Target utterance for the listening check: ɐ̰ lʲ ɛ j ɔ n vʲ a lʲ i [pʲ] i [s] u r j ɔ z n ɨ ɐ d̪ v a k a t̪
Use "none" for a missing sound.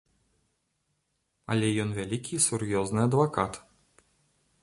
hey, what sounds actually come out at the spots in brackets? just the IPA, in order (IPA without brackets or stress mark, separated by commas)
kʲ, s